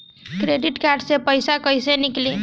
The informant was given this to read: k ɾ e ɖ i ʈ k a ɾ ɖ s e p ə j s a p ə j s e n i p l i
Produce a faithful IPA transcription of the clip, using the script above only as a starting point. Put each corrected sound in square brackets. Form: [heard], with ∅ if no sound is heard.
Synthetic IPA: k ɾ e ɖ i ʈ k a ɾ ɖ s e p ə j s a [k] ə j s e n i [k] l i